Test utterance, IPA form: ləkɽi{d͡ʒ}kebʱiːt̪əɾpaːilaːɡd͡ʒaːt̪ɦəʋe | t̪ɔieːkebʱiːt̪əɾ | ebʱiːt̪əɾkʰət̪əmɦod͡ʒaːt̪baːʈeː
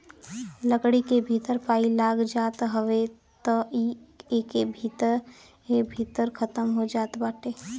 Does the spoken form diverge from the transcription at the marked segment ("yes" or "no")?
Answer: yes